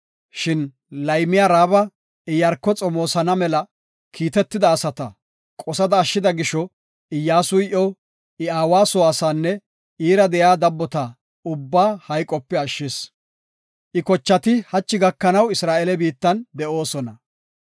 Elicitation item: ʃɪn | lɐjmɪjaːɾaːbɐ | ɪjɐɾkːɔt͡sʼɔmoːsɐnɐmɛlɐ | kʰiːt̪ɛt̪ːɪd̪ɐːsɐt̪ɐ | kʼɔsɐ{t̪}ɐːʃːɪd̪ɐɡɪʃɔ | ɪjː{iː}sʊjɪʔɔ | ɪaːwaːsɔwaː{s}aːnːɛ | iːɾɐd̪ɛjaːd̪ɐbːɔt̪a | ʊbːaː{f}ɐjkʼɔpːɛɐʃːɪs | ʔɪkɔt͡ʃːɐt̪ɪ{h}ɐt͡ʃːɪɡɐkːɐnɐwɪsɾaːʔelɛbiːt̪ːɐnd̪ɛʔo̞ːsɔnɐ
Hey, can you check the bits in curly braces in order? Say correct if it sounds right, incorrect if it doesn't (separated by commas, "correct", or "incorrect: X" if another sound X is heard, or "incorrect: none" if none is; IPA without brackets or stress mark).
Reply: incorrect: d̪, incorrect: aː, correct, incorrect: h, correct